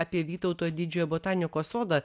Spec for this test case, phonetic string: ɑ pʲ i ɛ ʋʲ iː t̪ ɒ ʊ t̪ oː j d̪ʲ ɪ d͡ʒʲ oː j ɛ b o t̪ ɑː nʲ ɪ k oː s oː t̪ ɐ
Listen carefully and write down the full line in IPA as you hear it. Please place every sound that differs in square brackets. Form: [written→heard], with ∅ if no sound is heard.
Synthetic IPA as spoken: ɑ pʲ i ɛ ʋʲ iː t̪ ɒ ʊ t̪ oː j d̪ʲ ɪ d͡ʒʲ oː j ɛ b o t̪ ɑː nʲ ɪ k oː s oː [t̪→d̪] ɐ